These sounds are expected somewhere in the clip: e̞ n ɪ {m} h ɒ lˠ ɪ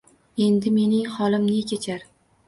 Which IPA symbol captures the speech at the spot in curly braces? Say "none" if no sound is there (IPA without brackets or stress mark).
ŋ